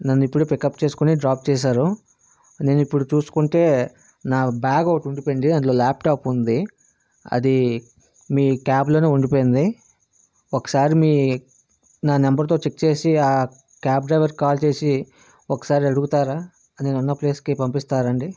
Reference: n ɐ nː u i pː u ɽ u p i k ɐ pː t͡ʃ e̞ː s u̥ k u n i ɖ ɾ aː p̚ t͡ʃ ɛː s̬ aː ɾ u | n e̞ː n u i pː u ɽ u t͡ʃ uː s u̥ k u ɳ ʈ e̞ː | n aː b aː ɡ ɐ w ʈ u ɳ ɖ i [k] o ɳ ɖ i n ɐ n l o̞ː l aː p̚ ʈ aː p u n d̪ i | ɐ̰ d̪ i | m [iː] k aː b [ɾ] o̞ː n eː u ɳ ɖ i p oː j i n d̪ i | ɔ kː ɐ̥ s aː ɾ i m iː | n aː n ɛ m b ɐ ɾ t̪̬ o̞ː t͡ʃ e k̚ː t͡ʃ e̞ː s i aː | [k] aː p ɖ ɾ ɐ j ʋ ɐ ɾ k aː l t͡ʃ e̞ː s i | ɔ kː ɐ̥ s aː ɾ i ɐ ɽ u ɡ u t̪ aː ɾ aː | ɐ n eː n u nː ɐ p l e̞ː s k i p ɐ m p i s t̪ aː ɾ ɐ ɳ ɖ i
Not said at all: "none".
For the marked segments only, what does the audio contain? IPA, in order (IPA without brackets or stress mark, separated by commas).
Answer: p, iː, l, k